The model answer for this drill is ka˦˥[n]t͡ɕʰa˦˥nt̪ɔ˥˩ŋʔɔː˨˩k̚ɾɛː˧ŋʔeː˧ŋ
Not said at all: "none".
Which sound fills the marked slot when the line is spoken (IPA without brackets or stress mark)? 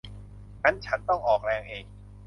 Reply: n